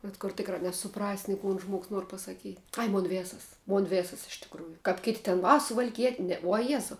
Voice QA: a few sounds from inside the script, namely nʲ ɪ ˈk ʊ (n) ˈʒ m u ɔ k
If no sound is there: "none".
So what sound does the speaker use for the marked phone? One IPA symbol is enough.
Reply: n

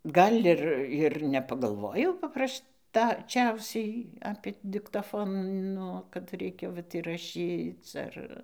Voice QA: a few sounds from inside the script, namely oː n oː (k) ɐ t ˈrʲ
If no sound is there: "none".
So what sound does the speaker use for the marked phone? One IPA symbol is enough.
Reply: k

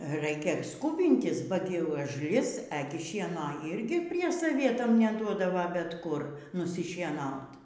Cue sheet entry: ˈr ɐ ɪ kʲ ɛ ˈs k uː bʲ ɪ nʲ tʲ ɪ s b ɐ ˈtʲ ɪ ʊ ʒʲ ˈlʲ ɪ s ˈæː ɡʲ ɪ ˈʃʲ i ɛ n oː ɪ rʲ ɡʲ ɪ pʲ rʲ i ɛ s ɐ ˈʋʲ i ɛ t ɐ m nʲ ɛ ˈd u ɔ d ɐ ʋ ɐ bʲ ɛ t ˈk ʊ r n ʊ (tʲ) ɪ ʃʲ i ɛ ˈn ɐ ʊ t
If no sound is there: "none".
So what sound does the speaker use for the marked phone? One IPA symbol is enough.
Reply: sʲ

